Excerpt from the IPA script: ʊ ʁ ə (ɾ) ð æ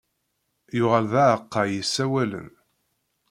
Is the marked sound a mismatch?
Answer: yes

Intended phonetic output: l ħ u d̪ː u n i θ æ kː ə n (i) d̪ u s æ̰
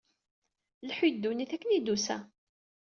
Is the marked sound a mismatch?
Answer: no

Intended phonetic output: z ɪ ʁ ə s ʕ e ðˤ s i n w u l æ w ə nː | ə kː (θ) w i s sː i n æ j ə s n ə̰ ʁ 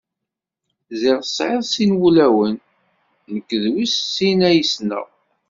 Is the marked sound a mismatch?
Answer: yes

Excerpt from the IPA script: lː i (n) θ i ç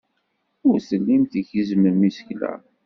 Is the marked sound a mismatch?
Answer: yes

